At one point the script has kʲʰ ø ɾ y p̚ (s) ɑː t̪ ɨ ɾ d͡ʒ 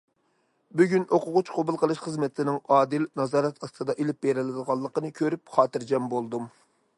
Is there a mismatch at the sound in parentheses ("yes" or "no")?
yes